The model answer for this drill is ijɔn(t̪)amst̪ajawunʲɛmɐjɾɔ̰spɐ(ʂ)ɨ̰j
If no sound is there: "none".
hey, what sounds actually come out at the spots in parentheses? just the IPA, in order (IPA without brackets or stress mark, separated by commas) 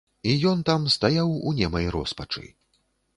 t̪, t͡ʂ